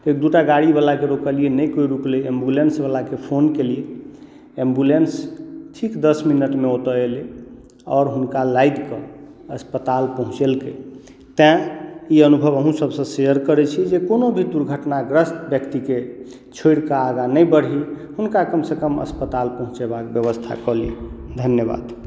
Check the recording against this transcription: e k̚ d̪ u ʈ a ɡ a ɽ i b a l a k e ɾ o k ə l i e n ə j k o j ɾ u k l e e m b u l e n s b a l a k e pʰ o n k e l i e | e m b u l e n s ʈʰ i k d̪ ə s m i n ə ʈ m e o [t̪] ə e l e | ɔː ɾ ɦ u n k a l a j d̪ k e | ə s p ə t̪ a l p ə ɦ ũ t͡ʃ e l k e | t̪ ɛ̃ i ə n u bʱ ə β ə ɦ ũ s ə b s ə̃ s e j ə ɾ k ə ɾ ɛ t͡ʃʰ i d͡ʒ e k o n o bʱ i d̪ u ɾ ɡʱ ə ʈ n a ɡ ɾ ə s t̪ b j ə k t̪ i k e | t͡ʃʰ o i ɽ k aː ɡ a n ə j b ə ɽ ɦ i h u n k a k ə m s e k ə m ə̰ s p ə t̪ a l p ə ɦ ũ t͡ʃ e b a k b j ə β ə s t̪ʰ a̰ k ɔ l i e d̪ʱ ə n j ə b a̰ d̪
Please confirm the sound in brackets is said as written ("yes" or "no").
yes